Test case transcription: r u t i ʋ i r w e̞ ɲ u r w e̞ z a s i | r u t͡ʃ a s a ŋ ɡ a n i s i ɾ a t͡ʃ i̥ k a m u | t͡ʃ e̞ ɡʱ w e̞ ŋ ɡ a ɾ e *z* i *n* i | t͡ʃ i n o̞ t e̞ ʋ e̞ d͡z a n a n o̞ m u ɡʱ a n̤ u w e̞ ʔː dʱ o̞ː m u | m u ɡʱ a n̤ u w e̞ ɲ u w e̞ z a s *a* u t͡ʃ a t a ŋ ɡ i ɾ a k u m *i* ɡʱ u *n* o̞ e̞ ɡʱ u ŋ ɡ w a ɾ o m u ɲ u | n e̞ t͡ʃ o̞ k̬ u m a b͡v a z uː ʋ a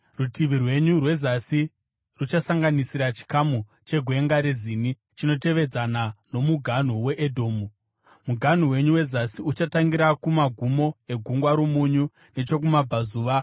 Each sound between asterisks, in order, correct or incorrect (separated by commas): correct, correct, incorrect, incorrect, incorrect